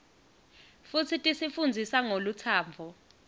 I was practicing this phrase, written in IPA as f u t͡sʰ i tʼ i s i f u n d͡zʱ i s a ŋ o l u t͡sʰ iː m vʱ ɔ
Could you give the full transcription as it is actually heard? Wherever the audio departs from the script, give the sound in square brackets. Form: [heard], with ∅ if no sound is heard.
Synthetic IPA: f u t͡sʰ i tʼ i s i f u n d͡zʱ i s a ŋ o l u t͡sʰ [aː] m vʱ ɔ

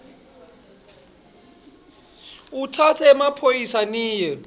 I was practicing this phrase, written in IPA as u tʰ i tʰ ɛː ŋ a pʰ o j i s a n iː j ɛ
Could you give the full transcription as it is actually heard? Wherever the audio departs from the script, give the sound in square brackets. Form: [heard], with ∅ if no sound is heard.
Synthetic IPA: u tʰ [a] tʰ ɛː [m] a pʰ o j i s a n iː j ɛ

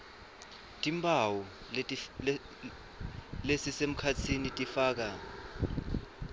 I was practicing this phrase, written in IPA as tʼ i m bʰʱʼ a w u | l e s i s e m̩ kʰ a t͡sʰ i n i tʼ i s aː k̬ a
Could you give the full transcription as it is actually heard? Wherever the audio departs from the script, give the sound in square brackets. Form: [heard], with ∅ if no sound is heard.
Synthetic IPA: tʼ i m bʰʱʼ a w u | l e s i s e m̩ kʰ a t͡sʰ i n i tʼ i [f] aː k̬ a

